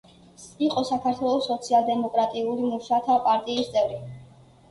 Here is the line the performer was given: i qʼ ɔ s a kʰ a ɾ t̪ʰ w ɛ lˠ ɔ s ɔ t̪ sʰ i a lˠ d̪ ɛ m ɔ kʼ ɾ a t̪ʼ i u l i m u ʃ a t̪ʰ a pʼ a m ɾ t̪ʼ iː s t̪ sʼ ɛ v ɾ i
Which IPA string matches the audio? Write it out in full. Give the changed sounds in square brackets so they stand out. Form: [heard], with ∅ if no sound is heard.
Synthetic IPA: i qʼ ɔ s a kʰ a ɾ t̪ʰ w ɛ lˠ ɔ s ɔ t̪ sʰ i a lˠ d̪ ɛ m ɔ kʼ ɾ a t̪ʼ i u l i m u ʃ a t̪ʰ a pʼ a [∅] ɾ t̪ʼ iː s t̪ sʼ ɛ v ɾ i